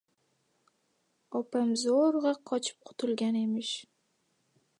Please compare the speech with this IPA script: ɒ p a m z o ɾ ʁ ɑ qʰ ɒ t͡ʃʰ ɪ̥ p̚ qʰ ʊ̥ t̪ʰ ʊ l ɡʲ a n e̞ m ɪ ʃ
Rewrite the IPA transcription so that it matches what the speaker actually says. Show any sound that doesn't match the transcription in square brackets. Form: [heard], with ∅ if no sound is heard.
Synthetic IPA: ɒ p a m z o ɾ ʁ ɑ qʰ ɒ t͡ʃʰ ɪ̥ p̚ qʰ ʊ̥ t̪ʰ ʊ l ɡʲ a n e̞ m ɪ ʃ